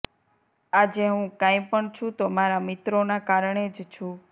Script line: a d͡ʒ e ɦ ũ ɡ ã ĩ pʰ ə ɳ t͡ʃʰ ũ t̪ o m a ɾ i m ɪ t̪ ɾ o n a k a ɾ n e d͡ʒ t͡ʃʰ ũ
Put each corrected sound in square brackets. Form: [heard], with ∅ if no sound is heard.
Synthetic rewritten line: a d͡ʒ e ɦ ũ [k] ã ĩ [p] ə ɳ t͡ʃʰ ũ t̪ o m a ɾ [a] m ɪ t̪ ɾ o n a k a ɾ [ɳ] e d͡ʒ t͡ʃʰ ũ